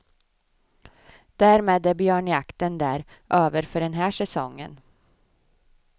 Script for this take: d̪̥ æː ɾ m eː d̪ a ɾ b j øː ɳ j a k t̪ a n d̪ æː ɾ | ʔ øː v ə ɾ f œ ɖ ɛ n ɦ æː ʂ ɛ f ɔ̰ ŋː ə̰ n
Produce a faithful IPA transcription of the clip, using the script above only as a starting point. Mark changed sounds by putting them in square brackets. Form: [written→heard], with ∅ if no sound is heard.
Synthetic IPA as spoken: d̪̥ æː ɾ m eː d̪ [a→æ] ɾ b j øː ɳ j a k t̪ [a→ə] n d̪ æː ɾ | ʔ øː v ə ɾ f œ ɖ ɛ n ɦ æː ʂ ɛ [f→s] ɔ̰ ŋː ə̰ n